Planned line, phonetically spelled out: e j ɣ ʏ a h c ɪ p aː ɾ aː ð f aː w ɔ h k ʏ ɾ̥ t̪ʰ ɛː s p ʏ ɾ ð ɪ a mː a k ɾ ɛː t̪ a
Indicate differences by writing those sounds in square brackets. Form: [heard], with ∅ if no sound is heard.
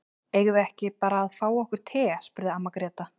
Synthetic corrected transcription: e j ɣ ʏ [ɛ] h c ɪ p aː ɾ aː ð f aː w ɔ h k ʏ ɾ̥ t̪ʰ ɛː s p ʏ ɾ ð ɪ a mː a k ɾ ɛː t̪ a